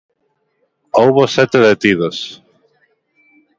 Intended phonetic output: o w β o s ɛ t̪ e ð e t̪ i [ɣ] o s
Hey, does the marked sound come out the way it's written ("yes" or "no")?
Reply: no